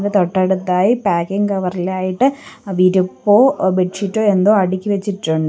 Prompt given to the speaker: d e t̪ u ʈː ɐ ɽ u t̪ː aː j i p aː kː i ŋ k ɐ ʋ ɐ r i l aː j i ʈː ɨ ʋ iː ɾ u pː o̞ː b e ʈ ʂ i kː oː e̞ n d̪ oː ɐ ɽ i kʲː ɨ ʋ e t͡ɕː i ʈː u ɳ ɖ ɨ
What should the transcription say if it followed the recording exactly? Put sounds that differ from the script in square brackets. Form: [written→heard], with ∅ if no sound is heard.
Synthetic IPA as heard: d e t̪ [u→o] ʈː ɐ ɽ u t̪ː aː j i p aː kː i ŋ k ɐ ʋ ɐ r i l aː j i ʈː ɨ ʋ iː ɾ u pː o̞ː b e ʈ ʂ i [kː→ʈː] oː e̞ n d̪ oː ɐ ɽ i kʲː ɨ ʋ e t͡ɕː i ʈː u ɳ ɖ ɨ